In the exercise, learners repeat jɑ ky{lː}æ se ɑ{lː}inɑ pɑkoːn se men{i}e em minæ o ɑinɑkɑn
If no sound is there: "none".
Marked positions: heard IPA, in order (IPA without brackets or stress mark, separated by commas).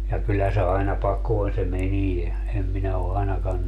lː, none, i